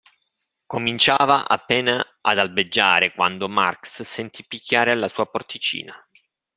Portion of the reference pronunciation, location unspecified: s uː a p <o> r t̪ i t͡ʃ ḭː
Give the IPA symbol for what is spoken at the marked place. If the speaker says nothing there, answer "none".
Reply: o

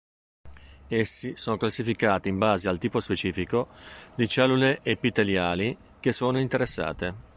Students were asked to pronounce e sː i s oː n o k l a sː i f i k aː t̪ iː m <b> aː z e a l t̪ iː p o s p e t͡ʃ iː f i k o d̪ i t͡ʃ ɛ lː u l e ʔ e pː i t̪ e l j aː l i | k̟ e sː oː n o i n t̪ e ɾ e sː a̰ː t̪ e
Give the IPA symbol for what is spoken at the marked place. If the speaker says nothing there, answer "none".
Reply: b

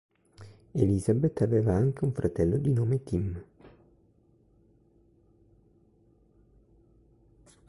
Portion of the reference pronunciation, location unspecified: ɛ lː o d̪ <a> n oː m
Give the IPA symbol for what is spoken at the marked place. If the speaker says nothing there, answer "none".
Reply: i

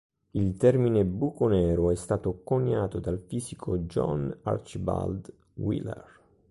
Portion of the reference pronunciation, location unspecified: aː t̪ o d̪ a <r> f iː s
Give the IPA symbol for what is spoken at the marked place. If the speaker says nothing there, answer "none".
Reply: l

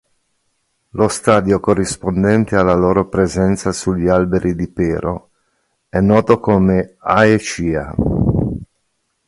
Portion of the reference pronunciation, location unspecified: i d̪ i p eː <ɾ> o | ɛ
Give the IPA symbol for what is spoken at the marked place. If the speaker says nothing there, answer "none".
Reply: ɾ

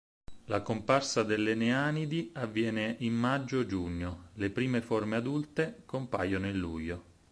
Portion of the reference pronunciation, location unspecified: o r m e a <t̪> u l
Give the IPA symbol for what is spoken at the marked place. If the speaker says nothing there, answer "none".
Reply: d̪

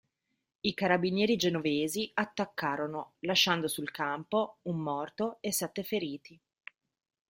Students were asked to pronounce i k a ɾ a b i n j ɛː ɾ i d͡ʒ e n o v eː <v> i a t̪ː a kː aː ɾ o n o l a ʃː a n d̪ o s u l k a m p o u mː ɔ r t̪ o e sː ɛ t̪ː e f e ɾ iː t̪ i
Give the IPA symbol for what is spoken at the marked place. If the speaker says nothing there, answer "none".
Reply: z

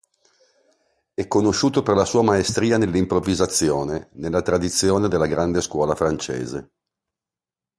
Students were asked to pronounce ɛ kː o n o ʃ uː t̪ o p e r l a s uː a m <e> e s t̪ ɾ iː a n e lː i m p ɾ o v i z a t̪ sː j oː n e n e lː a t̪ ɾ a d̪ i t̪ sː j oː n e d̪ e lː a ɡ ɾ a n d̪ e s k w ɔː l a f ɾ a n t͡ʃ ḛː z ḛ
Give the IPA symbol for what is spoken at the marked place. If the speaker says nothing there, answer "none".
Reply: a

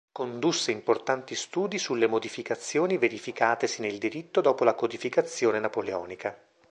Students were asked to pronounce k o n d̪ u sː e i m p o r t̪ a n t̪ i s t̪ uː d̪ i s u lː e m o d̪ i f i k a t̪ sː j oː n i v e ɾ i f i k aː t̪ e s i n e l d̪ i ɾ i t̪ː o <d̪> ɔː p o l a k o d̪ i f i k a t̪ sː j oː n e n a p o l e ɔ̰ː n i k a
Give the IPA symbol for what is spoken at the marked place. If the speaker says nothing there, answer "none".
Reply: d̪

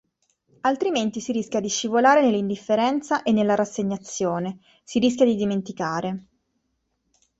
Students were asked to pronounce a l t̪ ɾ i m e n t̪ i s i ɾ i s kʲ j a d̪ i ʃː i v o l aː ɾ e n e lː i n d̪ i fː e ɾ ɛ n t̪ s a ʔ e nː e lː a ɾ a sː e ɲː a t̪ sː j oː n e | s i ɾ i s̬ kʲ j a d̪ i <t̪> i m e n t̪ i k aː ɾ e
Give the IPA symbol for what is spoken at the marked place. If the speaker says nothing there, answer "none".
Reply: d̪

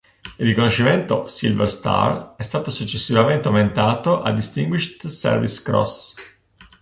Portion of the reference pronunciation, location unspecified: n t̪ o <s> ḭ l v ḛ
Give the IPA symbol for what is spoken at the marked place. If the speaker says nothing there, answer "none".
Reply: s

